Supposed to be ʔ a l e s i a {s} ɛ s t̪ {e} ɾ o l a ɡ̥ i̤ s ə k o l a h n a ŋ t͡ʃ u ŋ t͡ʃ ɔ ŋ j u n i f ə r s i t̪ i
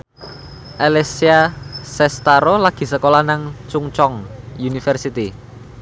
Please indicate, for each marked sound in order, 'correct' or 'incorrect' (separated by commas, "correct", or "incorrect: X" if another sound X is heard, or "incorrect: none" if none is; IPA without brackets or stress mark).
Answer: correct, incorrect: a